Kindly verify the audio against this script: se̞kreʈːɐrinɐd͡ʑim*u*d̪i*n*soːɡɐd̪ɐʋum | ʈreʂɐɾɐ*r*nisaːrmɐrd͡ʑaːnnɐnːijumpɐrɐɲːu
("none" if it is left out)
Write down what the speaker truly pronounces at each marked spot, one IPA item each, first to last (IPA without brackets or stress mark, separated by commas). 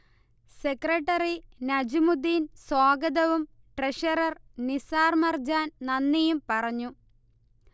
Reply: u, n, r